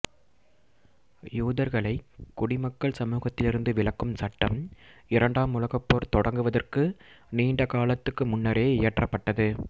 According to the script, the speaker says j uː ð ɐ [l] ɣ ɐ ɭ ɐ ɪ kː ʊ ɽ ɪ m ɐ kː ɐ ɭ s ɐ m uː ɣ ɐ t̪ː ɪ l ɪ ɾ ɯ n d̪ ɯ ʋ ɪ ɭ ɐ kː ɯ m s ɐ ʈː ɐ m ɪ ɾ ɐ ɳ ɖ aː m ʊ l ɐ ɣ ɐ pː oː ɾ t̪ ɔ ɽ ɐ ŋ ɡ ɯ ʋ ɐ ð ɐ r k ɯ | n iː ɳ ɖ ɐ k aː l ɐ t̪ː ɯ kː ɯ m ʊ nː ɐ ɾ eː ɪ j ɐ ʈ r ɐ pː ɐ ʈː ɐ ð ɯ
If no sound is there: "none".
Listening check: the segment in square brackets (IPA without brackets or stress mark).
ɾ